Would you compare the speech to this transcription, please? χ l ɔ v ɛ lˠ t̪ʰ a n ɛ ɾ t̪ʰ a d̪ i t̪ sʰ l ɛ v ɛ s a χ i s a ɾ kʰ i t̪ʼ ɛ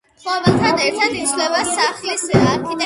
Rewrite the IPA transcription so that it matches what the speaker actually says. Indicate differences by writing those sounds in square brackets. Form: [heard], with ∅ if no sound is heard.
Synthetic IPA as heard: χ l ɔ v ɛ lˠ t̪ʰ a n ɛ ɾ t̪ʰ a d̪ i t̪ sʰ l ɛ v [a] s a χ i s a ɾ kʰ i t̪ʼ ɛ

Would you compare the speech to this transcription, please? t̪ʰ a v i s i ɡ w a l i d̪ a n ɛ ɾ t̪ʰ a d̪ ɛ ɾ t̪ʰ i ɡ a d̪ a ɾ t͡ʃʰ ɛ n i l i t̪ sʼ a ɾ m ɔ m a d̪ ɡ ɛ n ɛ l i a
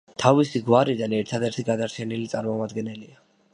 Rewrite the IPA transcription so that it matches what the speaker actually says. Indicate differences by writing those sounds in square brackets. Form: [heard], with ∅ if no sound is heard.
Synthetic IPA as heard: t̪ʰ a v i s i ɡ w a [ɾ] i d̪ a n ɛ ɾ t̪ʰ a d̪ ɛ ɾ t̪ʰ i ɡ a d̪ a ɾ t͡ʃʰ ɛ n i l i t̪ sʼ a ɾ m ɔ m a d̪ ɡ ɛ n ɛ l i a

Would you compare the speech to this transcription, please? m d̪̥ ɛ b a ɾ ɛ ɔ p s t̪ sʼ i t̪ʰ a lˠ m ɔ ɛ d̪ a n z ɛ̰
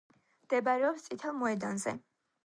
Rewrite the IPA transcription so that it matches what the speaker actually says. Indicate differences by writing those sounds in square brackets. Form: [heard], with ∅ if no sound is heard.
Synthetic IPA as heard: m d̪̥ ɛ b a ɾ ɛ ɔ p s t̪ sʼ i t̪ʰ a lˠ m ɔ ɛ d̪ a n z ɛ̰

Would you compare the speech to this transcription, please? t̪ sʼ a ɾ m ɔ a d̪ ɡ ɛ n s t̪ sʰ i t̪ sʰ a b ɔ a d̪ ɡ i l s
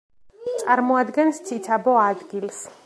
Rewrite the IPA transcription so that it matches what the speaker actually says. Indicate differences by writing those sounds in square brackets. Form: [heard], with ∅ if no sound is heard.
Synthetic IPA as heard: t̪ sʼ a ɾ m ɔ a d̪ ɡ ɛ n s t̪ sʰ i t̪ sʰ a b ɔ a d̪ ɡ i l s

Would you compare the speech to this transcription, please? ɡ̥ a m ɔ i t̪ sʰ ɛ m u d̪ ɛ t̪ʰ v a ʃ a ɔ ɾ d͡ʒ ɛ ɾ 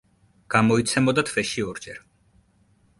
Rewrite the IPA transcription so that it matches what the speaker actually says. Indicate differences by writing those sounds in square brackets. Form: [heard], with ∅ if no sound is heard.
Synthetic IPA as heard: ɡ̥ a m ɔ i t̪ sʰ ɛ m [ɔ] d̪ [a] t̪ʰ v [ɛ] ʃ [i] ɔ ɾ d͡ʒ ɛ ɾ

